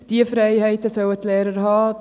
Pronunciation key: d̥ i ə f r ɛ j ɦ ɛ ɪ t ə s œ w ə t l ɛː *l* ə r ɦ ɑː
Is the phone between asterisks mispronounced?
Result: yes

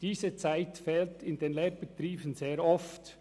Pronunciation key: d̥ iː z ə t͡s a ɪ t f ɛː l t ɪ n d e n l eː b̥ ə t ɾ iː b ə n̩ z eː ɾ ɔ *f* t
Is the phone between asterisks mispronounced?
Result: no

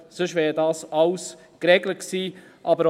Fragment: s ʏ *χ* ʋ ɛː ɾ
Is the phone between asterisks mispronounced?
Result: yes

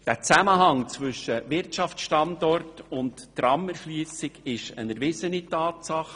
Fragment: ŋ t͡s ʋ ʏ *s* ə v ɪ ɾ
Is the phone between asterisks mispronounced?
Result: yes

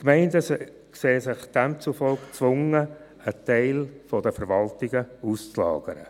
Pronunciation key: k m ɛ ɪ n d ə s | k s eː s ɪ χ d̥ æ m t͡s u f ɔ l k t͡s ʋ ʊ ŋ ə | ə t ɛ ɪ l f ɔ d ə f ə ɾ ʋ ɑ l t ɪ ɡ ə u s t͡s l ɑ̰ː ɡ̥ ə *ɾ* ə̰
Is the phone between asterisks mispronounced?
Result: no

